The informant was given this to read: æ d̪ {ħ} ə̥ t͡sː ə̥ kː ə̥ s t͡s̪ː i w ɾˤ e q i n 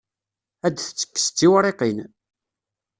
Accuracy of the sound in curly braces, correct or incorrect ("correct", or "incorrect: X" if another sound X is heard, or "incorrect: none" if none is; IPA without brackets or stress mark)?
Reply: incorrect: θ